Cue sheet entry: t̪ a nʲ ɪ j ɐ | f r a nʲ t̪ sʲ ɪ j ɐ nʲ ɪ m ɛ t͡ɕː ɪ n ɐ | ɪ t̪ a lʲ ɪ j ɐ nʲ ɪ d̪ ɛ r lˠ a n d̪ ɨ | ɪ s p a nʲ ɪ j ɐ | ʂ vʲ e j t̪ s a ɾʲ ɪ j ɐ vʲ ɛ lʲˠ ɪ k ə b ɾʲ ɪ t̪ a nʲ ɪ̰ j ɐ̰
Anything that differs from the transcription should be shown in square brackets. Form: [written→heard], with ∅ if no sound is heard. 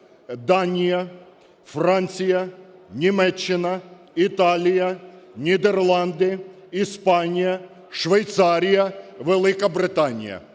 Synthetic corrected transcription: [t̪→d̪] a nʲ ɪ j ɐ | f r a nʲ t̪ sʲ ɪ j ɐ nʲ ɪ m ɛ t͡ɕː ɪ n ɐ | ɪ t̪ a lʲ ɪ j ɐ nʲ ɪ d̪ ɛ r lˠ a n d̪ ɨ | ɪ s p a nʲ ɪ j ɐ | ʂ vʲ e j t̪ s a ɾʲ ɪ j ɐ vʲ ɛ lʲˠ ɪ k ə b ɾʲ ɪ t̪ a nʲ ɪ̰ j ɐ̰